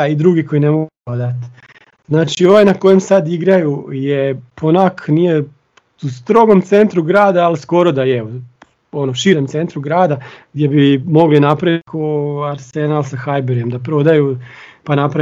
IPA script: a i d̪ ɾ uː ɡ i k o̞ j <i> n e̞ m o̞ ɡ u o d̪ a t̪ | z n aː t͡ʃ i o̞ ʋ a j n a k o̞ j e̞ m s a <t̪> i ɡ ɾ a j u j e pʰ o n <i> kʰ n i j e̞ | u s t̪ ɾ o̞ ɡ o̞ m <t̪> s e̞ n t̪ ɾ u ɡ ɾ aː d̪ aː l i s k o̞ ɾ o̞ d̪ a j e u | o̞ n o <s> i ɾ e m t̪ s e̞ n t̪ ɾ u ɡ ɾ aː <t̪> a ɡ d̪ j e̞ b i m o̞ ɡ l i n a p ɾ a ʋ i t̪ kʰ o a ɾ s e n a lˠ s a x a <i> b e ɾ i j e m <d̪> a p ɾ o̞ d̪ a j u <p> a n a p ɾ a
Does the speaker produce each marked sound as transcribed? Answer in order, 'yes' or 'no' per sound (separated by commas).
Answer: yes, no, no, yes, no, no, no, yes, yes